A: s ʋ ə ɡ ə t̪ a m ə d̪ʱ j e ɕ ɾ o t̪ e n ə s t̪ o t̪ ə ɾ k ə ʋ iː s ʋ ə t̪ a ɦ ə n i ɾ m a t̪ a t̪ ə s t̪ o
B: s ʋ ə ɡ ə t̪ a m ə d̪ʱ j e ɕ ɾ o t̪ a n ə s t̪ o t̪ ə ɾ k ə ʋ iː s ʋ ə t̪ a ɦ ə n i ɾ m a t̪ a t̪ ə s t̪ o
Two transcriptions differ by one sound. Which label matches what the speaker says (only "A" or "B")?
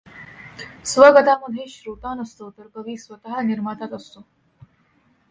B